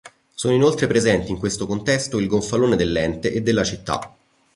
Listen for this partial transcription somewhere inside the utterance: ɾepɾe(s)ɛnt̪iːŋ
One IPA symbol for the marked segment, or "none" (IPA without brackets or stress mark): z